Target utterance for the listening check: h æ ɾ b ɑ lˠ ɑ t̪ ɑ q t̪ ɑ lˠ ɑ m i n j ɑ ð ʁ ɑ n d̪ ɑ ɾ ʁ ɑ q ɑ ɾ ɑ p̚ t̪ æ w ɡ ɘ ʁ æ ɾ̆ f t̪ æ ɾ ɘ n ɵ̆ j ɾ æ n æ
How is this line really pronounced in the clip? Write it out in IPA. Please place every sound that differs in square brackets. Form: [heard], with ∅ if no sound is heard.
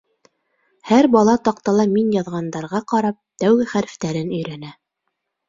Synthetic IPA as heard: h æ ɾ b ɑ lˠ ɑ t̪ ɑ q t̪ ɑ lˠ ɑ m i n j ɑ ð ʁ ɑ n d̪ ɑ ɾ ʁ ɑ q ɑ ɾ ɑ p̚ t̪ æ w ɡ ɘ [χ] æ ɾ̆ f t̪ æ ɾ ɘ n ɵ̆ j ɾ æ n æ